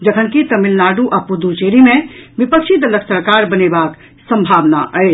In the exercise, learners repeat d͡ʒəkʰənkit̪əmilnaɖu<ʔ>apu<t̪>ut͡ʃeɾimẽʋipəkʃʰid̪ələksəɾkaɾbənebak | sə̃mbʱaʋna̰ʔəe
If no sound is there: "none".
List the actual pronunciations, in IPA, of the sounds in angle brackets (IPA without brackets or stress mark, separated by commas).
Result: ʔ, d̪